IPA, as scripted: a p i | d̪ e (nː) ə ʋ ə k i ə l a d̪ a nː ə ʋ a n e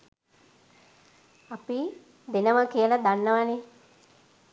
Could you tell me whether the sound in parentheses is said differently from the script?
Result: yes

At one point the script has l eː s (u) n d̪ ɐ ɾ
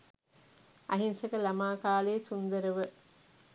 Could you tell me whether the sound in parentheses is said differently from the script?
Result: no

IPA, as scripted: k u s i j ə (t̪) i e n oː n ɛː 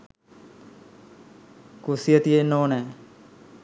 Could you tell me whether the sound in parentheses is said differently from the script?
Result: no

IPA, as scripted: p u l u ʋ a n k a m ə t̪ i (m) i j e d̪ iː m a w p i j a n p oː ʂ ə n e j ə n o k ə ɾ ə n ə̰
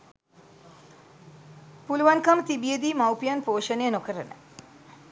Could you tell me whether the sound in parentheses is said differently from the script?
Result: yes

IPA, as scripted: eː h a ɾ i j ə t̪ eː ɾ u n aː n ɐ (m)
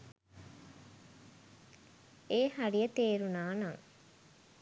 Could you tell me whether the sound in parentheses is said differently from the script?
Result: yes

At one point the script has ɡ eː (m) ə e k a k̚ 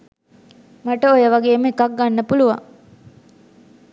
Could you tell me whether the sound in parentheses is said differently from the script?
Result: no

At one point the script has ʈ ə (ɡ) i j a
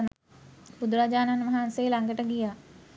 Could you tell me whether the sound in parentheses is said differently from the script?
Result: no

